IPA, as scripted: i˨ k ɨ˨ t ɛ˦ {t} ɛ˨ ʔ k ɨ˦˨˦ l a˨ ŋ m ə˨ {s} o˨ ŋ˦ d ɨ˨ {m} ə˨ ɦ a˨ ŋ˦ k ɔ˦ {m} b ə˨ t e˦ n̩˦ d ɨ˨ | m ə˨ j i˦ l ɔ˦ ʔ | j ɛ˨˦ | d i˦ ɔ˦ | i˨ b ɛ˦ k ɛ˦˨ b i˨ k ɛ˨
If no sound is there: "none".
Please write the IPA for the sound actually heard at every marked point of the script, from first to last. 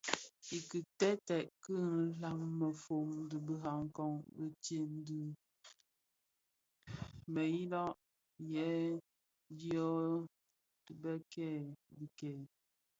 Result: t, f, b, ŋ

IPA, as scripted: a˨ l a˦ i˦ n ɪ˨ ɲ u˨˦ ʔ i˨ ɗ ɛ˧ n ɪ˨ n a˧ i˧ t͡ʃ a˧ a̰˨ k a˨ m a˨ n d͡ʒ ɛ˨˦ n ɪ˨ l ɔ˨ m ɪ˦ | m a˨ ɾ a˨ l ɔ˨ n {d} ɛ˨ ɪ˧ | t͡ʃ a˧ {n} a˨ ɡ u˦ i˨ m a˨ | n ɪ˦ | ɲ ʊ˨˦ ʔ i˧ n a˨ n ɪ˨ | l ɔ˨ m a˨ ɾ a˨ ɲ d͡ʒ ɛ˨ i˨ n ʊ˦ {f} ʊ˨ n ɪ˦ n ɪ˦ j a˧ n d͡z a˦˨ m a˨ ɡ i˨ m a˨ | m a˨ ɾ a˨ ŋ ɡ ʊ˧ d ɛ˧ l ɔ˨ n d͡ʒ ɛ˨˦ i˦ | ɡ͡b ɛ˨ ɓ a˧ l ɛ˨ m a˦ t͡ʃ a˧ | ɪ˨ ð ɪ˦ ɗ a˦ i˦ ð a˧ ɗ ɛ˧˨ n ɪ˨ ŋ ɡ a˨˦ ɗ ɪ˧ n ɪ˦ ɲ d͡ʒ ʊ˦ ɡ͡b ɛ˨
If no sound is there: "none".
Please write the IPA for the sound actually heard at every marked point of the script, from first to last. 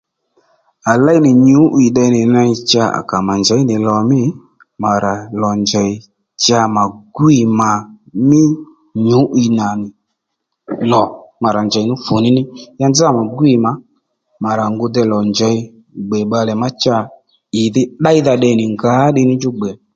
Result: d͡ʒ, m, f

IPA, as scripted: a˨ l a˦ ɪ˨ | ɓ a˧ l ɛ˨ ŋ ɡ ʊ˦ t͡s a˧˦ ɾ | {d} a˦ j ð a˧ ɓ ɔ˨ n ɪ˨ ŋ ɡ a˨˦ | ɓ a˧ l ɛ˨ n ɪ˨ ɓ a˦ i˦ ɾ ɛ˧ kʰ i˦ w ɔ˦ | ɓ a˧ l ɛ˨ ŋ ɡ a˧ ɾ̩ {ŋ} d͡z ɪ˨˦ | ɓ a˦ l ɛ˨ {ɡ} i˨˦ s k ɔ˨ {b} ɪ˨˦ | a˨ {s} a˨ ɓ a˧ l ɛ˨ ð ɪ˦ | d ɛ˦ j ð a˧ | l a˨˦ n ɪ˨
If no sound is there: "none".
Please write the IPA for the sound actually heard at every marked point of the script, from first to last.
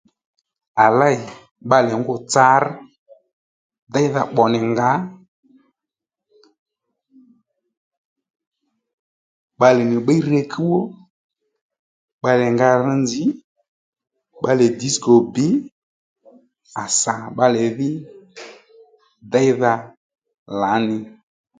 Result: d, n, d, b, s

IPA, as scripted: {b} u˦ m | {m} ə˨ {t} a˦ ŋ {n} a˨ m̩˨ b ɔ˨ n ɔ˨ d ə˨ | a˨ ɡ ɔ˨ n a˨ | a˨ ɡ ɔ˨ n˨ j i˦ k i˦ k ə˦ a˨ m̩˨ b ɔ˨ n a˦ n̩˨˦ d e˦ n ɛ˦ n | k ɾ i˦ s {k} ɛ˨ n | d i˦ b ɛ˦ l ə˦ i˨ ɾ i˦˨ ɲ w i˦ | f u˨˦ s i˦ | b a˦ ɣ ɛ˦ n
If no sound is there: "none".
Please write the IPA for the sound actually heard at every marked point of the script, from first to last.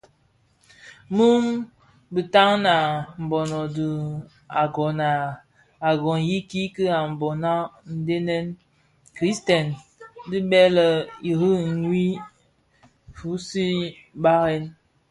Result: m, b, t, n, t

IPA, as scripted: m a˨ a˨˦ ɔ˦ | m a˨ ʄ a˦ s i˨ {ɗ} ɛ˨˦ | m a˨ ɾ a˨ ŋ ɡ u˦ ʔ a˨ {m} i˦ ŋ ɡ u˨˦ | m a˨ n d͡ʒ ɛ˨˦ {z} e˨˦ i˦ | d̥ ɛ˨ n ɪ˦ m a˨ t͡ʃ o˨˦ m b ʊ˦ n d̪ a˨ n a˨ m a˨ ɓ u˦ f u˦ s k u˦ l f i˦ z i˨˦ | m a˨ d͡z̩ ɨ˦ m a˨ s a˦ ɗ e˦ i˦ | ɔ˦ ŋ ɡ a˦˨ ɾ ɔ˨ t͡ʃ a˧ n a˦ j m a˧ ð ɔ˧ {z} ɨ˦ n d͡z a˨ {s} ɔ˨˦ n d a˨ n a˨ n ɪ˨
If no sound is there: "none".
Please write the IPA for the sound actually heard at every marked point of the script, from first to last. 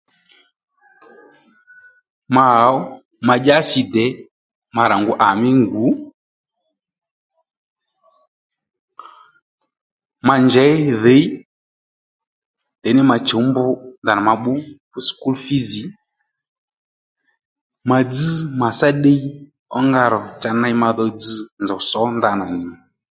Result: d, m, ð, d͡z, s

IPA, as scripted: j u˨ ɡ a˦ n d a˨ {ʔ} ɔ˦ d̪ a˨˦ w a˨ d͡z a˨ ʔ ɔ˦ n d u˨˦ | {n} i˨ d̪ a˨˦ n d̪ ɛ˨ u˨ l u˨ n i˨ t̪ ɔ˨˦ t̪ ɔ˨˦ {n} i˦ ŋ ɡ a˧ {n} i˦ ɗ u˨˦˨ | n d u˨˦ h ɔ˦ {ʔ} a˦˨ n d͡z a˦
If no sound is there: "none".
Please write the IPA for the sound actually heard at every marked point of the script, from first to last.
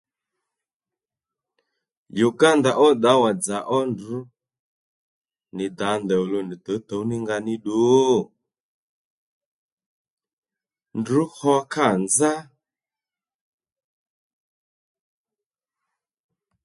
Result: ʔ, n, n, n, k

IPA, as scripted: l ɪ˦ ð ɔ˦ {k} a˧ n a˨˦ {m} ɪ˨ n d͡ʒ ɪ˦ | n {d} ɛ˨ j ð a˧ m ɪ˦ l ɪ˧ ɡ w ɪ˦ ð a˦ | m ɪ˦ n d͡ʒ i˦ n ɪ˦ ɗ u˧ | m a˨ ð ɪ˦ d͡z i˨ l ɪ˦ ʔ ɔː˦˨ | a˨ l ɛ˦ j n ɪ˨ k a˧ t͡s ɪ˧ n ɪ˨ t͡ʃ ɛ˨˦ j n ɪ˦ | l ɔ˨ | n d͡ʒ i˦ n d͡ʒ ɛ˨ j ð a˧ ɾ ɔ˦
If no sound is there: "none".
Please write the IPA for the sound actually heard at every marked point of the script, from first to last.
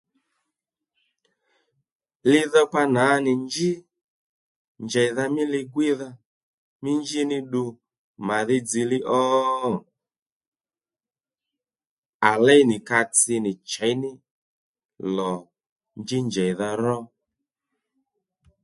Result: p, n, d͡ʒ

